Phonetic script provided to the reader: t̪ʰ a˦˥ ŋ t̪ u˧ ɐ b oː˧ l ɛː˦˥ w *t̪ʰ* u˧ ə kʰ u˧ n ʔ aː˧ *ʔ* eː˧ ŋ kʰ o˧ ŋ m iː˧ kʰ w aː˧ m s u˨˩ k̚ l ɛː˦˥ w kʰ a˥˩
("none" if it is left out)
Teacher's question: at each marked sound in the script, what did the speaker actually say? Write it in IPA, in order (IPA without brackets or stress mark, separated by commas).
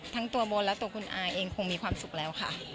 t̪, ʔ